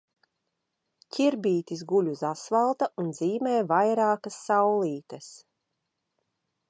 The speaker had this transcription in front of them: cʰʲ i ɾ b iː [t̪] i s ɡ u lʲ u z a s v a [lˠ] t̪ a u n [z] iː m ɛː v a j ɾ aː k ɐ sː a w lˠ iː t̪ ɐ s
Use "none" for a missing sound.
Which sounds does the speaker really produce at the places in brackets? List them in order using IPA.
t̪, lˠ, z

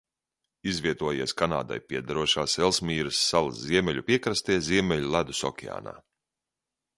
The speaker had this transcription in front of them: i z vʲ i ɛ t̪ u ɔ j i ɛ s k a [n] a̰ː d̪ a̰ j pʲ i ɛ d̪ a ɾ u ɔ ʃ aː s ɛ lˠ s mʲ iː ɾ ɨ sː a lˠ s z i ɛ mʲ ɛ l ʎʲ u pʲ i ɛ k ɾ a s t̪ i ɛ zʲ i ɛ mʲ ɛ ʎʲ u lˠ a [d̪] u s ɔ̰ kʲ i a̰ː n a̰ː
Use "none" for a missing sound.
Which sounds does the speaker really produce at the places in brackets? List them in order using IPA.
n, d̪

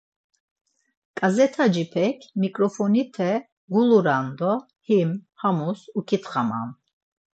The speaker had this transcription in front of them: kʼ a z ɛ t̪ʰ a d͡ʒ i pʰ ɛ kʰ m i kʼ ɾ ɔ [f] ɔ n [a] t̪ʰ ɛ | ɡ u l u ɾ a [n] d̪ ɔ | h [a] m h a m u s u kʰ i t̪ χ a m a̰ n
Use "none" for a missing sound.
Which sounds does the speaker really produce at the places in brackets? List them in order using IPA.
f, i, n, i

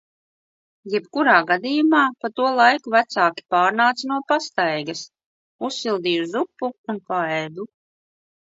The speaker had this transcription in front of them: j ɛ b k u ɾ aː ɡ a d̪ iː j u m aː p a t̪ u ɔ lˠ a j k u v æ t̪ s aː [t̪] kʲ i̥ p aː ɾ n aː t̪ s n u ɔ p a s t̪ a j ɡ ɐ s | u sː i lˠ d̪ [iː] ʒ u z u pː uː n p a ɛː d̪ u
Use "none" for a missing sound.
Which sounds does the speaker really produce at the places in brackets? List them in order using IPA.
none, iː

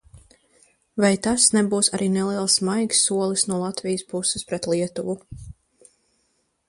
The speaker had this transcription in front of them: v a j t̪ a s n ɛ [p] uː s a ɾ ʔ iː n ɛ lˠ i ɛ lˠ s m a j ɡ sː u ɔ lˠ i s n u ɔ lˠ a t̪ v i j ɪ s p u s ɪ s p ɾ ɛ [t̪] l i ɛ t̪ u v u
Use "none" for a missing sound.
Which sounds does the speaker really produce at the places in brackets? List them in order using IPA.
b, t̪

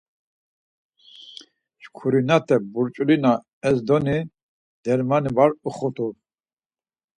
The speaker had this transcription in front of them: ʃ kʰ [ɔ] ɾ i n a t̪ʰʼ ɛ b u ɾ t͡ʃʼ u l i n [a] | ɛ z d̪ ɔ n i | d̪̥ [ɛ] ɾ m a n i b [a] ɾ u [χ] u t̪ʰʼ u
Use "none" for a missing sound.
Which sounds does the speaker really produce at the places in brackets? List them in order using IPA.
u, a, ɛ, a, χ

